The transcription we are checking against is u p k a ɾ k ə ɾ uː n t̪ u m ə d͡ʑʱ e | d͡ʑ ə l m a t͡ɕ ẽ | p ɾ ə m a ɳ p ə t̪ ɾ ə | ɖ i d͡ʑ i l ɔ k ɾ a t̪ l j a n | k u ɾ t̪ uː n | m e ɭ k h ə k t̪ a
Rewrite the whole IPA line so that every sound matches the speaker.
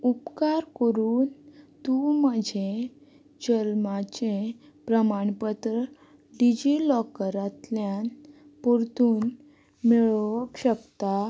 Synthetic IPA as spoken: u p k a ɾ k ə ɾ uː n t̪ u m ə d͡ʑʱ e | d͡ʑ ə l m a t͡ɕ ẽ | p ɾ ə m a ɳ p ə t̪ ɾ ə | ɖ i d͡ʑ i l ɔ k ɾ a t̪ l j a n | p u ɾ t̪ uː n | m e ɭ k ɕ ə k t̪ a